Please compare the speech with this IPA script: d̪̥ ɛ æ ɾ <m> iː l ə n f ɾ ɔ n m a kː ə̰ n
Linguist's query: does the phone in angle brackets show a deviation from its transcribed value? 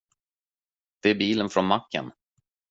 yes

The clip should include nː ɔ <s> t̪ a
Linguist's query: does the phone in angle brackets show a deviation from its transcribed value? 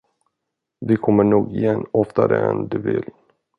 yes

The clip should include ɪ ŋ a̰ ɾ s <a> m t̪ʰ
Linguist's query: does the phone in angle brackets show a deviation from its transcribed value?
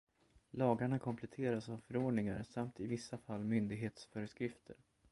no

